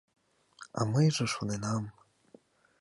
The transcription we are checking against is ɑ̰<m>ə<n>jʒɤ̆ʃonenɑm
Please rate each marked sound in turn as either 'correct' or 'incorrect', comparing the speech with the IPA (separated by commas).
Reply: correct, incorrect